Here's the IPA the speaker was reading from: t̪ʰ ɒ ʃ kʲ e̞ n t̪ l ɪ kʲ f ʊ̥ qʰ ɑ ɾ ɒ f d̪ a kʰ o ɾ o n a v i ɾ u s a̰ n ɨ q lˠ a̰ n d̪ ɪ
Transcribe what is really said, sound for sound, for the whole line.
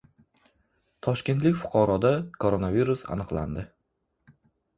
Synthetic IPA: t̪ʰ ɒ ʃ kʲ e̞ n t̪ l ɪ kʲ f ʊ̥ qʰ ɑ ɾ ɒ d̪ a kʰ o ɾ o n a v i ɾ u s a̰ n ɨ q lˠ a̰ n d̪ ɪ